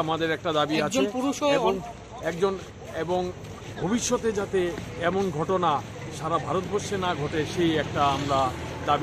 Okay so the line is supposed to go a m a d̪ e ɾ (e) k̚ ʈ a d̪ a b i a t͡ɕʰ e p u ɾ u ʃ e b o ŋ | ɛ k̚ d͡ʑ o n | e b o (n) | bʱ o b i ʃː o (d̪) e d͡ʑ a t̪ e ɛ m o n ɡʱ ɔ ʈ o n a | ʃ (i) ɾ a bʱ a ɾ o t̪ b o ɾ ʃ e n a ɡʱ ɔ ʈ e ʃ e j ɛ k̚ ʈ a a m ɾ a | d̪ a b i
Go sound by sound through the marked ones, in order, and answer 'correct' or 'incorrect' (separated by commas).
incorrect, incorrect, incorrect, incorrect